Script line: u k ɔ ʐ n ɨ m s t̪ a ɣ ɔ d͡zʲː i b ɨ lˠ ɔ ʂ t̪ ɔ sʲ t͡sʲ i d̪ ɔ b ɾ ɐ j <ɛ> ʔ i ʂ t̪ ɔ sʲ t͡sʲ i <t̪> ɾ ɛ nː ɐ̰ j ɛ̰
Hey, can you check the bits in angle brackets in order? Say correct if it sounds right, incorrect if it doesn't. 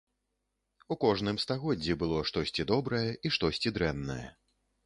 correct, incorrect

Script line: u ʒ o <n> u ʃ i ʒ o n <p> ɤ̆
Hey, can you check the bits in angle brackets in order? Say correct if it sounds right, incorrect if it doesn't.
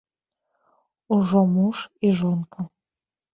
incorrect, incorrect

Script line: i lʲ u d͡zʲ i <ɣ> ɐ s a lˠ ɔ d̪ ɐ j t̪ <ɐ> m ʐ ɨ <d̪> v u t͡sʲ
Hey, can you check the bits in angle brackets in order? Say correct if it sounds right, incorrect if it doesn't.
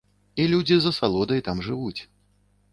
incorrect, incorrect, incorrect

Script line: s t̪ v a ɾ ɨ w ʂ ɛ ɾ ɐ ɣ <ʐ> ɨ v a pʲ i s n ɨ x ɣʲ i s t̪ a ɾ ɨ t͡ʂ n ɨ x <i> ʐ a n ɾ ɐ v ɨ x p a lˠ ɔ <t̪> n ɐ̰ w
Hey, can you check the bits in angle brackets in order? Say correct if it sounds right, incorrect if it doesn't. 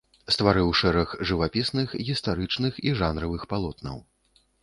correct, correct, correct

